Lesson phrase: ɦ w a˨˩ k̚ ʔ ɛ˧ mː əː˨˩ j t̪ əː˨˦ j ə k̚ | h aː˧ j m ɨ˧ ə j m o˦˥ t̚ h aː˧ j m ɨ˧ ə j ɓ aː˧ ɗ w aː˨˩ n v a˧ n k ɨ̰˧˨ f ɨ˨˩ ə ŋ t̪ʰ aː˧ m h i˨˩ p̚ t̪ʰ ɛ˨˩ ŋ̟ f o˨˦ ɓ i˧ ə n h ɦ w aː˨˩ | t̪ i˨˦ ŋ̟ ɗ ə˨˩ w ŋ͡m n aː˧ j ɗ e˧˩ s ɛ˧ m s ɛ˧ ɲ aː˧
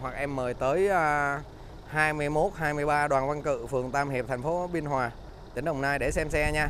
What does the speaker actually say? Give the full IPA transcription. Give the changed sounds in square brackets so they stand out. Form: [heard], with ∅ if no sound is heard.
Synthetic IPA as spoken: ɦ w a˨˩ k̚ ʔ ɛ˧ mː əː˨˩ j t̪ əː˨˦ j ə [∅] | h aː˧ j m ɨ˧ ə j m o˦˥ t̚ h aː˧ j m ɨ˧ ə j ɓ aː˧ ɗ w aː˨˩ n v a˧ n k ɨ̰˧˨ f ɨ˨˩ ə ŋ [t̪] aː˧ m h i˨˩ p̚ t̪ʰ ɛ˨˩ ŋ̟ f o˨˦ ɓ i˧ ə n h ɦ w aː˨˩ | t̪ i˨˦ ŋ̟ ɗ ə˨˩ w ŋ͡m n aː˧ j ɗ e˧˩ s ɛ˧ m s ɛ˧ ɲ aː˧

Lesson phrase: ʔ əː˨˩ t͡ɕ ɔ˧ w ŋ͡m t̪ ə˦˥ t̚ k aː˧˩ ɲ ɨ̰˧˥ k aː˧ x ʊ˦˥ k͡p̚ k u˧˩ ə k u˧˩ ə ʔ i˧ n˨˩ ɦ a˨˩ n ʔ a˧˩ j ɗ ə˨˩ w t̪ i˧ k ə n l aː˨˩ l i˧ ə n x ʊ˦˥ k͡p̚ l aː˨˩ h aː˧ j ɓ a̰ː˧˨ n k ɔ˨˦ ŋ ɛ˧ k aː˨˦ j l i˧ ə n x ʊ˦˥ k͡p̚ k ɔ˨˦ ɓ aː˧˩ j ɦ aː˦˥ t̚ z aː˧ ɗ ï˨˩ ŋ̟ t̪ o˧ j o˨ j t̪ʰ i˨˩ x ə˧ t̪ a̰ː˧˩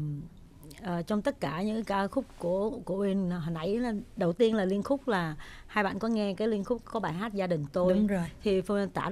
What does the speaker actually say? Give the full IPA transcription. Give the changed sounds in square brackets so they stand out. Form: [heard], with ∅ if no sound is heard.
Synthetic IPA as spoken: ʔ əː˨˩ t͡ɕ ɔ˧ w ŋ͡m t̪ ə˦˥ t̚ k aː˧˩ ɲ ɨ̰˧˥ k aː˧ x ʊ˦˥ k͡p̚ k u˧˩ ə k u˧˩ ə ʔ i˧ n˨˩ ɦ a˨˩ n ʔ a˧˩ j ɗ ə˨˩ w t̪ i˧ [∅] ə n l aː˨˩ l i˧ ə n x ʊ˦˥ k͡p̚ l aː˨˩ h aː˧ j ɓ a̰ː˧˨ n k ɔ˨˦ ŋ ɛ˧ k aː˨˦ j l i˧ ə n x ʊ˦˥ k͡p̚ k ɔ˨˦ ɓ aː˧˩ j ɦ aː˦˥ t̚ z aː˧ ɗ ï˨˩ ŋ̟ t̪ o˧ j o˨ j t̪ʰ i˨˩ [f] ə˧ t̪ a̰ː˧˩

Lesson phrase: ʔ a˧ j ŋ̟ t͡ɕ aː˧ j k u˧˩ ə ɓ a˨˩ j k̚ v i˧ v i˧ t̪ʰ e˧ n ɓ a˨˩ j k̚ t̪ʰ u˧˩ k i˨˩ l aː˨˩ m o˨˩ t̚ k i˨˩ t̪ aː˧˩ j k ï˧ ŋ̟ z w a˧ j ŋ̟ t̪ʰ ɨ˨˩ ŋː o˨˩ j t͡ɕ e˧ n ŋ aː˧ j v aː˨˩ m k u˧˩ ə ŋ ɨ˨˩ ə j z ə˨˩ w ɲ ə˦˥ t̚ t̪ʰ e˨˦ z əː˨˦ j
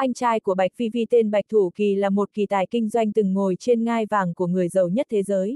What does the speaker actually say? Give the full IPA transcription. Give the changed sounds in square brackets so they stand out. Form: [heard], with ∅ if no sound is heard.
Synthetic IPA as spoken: ʔ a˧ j ŋ̟ t͡ɕ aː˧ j k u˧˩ ə ɓ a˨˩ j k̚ v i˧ v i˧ [t̪] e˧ n ɓ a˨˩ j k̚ t̪ʰ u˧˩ k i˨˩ l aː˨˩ m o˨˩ t̚ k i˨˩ t̪ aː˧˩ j k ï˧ ŋ̟ z w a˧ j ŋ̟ [t̪] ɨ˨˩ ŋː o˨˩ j t͡ɕ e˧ n ŋ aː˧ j v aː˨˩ [ŋ] k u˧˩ ə ŋ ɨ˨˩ ə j z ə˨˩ w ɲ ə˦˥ t̚ t̪ʰ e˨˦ z əː˨˦ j

